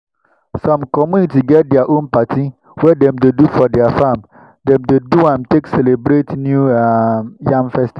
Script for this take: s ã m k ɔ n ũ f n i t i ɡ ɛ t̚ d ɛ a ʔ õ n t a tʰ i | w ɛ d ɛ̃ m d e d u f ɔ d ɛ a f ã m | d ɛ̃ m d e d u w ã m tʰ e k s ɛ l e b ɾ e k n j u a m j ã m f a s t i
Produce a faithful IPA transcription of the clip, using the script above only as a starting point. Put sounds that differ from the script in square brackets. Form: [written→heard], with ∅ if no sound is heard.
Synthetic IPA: s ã m k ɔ [n→m] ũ [f→∅] n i t i ɡ ɛ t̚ d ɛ a ʔ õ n [t→p] a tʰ i | w ɛ d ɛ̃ m d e d u f ɔ d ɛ a f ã m | d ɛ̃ m d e d u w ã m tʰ e k s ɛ l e b ɾ e [k→t] n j u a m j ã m f [a→ɛ] s t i

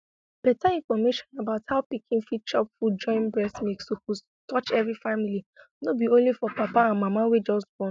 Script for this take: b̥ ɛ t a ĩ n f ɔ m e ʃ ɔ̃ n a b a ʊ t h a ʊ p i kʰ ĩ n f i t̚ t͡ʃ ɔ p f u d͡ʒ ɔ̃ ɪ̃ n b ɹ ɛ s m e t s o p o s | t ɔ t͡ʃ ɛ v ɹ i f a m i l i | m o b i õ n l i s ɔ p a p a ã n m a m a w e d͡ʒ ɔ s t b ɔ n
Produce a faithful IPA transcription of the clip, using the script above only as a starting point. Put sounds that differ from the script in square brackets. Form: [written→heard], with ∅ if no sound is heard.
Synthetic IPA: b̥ ɛ t a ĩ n f ɔ m e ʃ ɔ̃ n a b a ʊ t h a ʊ p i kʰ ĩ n f i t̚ t͡ʃ ɔ p f u d͡ʒ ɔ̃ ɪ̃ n b ɹ ɛ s m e [t→k] s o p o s | t ɔ t͡ʃ ɛ v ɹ i f a m i l i | [m→n] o b i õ n l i [s→f] ɔ p a p a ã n m a m a w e d͡ʒ ɔ s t b ɔ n

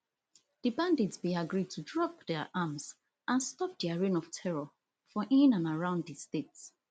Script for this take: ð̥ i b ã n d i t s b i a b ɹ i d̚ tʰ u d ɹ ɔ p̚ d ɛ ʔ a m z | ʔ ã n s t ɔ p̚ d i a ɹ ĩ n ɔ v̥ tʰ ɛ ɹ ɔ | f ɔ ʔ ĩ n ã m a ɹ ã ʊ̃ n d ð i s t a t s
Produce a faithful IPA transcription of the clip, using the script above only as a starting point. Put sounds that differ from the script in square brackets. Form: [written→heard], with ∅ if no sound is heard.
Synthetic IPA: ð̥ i b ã n d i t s b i a [b→ɡ] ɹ i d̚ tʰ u d ɹ ɔ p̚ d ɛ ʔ a m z | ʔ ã n s t ɔ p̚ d i a ɹ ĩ n ɔ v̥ tʰ ɛ ɹ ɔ | f ɔ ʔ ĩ n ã [m→n] a ɹ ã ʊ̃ n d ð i s t [a→e] t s

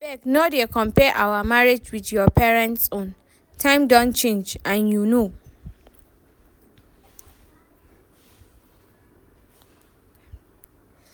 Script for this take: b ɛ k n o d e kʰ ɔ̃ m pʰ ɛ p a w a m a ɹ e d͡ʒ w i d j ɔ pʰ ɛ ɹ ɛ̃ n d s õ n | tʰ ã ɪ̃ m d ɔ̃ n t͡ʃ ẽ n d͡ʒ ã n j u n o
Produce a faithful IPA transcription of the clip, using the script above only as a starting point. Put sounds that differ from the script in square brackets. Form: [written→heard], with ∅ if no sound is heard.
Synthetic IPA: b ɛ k n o d e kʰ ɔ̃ m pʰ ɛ [p→ʔ] a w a m a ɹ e d͡ʒ w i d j ɔ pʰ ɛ ɹ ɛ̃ n [d→t] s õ n | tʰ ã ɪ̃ m d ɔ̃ n t͡ʃ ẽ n d͡ʒ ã n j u n o

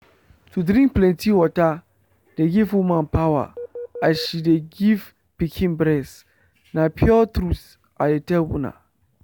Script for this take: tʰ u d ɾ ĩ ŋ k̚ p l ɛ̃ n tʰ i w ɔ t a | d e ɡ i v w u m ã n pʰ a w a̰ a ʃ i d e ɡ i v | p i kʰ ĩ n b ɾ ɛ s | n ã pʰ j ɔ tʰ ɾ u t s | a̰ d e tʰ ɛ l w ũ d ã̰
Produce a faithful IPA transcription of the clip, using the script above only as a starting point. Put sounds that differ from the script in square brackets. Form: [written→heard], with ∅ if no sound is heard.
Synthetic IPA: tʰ u d ɾ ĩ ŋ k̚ p l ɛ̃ n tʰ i w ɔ t a | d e ɡ i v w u m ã n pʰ a w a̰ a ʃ i d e ɡ i v | p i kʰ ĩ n b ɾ ɛ s | n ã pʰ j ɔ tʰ ɾ u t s | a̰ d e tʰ ɛ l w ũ [d→n] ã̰

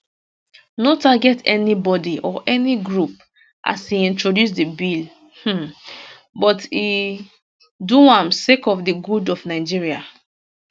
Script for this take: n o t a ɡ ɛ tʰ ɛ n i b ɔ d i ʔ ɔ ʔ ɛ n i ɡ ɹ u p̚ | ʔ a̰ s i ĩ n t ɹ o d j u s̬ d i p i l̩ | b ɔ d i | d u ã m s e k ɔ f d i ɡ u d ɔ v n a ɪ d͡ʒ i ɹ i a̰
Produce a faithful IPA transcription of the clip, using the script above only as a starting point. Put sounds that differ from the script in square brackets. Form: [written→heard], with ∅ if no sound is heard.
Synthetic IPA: n o t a ɡ ɛ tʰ ɛ n i b ɔ d i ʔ ɔ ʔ ɛ n i ɡ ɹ u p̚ | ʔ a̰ s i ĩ n t ɹ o d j u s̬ d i [p→b] i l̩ | b ɔ [d→t] i | d u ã m s e k ɔ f d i ɡ u d ɔ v n a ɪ d͡ʒ i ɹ i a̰

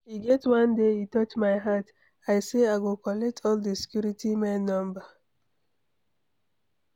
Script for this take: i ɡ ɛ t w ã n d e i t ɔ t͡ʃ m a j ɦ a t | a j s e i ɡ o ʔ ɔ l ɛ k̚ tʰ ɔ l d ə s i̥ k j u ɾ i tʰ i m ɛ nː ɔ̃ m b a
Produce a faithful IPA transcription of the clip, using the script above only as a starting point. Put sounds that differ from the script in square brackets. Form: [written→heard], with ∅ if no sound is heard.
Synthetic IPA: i ɡ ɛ t w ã n d e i t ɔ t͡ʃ m a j ɦ a t | a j s e [i→a] ɡ o [ʔ→k] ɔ l ɛ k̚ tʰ ɔ l d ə s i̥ k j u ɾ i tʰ i m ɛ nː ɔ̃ m b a

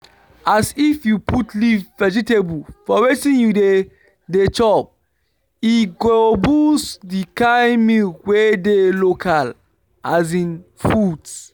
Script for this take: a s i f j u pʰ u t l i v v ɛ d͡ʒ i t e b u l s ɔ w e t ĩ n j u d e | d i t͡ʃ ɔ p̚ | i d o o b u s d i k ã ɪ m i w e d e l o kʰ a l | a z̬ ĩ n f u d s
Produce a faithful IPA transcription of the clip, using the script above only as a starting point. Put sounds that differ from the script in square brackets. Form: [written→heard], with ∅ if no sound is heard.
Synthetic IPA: a s i f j u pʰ u t l i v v ɛ d͡ʒ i t e b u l [s→f] ɔ w e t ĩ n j u d e | d [i→e] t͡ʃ ɔ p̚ | i [d→ɡ] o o b u s d i k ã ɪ m i w e d e l o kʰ a l | a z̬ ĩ n f u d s

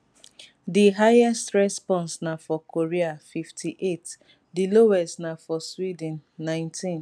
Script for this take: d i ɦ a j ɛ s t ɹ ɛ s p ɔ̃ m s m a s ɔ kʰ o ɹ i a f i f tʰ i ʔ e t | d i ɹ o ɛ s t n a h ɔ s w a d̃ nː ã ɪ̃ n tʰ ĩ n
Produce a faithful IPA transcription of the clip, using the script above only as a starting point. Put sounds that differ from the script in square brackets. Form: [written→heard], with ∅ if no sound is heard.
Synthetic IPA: d i ɦ a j ɛ s t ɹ ɛ s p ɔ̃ [m→n] s [m→n] a [s→f] ɔ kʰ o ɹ i a f i f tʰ i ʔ e t | d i [ɹ→l] o ɛ s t n a [h→f] ɔ s w [a→i] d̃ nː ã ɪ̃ n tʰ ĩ n

